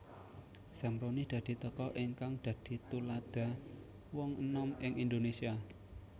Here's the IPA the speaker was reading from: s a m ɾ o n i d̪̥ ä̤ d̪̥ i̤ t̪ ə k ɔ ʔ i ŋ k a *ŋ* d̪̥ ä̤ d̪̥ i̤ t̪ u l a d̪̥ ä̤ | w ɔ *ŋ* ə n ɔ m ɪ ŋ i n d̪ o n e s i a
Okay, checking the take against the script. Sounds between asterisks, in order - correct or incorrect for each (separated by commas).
correct, correct